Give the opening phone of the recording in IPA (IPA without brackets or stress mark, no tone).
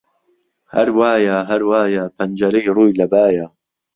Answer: h